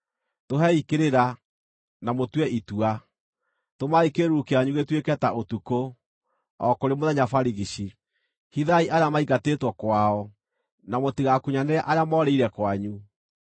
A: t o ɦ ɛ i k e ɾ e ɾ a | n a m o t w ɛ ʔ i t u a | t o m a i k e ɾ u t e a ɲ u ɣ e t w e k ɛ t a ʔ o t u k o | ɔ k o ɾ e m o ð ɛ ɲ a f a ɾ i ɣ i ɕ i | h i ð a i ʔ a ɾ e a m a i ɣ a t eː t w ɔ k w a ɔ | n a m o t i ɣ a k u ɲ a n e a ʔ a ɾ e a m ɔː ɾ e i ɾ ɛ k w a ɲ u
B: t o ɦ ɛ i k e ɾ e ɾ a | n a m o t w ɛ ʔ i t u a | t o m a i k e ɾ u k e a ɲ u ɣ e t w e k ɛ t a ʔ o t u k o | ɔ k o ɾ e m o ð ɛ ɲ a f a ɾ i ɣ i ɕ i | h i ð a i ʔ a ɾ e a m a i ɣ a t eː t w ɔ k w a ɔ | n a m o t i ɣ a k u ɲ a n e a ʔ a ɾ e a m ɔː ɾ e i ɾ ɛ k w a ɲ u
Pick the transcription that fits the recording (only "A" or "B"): B